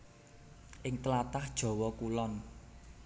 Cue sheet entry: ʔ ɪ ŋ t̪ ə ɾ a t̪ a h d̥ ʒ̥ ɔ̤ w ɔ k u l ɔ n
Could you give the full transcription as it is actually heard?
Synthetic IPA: ʔ ɪ ŋ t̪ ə l a t̪ a h d̥ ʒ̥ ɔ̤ w ɔ k u l ɔ n